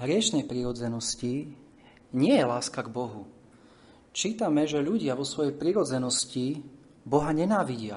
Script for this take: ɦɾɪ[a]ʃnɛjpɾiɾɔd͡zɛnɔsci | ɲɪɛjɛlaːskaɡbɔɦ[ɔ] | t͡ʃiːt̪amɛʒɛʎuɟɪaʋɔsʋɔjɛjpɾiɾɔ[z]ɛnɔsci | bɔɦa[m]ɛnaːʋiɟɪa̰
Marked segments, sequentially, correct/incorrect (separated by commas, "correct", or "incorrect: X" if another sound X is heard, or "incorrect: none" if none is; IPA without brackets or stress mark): incorrect: ɛ, incorrect: u, incorrect: d͡z, incorrect: ɲ